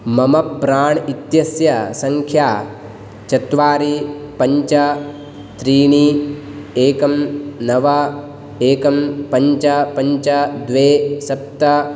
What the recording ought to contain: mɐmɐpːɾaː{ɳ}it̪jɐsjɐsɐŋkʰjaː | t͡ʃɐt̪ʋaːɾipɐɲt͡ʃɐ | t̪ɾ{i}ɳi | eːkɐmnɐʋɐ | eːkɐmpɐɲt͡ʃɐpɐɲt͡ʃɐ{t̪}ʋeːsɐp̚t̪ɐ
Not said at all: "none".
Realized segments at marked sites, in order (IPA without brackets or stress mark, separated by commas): ɳ, iː, d̪